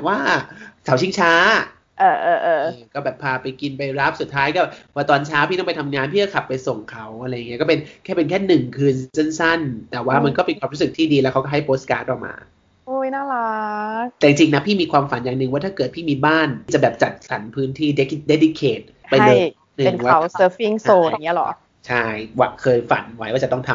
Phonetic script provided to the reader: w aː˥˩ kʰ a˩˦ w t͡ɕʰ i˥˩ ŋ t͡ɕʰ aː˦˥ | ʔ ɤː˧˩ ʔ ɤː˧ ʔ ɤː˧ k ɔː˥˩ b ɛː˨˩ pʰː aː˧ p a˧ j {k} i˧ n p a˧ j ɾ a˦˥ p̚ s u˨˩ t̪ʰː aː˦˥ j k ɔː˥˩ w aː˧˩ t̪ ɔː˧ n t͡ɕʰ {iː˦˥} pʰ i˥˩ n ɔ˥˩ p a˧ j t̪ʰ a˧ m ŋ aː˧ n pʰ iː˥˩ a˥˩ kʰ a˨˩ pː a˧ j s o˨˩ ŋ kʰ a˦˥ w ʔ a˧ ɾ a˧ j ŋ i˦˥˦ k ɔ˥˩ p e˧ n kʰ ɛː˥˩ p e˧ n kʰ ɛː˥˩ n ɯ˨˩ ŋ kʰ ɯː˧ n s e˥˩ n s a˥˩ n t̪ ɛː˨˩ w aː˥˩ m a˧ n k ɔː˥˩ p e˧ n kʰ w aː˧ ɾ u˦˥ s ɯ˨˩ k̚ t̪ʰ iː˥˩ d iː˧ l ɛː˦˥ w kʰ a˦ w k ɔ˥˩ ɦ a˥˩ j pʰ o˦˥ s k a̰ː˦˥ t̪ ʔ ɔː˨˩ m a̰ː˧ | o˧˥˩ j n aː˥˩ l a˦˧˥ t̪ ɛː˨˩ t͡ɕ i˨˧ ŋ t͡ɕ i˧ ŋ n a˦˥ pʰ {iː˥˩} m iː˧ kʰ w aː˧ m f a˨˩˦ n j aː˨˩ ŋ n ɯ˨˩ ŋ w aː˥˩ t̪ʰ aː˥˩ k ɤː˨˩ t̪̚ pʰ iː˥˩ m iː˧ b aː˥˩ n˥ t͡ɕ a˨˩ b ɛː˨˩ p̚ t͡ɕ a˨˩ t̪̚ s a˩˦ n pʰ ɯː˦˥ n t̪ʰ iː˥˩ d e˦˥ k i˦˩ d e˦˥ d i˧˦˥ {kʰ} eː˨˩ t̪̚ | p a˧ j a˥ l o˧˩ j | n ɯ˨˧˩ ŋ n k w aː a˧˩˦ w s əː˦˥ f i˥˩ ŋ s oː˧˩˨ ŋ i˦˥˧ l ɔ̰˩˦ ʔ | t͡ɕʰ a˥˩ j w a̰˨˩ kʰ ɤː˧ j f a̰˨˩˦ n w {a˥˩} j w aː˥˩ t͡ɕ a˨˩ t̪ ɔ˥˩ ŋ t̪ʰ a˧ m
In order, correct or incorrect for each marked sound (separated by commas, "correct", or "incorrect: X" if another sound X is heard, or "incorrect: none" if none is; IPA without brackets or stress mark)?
correct, incorrect: aː˦˥, correct, correct, incorrect: a˦˥